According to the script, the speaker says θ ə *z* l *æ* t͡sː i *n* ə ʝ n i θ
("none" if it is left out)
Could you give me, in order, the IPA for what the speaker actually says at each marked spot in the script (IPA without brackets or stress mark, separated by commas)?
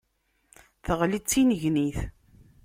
ʁ, i, n